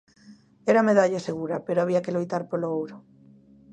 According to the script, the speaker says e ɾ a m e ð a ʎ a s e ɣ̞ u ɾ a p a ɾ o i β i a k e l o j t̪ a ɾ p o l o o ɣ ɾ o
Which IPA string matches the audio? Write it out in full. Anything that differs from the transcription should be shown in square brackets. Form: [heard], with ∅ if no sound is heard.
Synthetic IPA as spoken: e ɾ a m e ð a ʎ a s e ɣ̞ u ɾ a p [e] ɾ o [a] β i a k e l o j t̪ a ɾ p o l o o [w] ɾ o